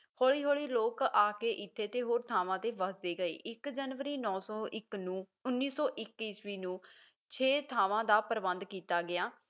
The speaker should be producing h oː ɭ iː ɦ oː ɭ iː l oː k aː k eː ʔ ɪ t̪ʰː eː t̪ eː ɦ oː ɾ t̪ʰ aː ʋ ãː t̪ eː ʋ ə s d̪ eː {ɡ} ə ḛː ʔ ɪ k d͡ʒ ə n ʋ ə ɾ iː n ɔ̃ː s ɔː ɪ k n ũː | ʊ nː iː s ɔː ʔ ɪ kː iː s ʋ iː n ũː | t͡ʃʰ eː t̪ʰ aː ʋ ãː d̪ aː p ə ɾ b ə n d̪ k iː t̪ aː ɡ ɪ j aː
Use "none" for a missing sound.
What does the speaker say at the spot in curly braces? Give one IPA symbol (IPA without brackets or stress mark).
ɡ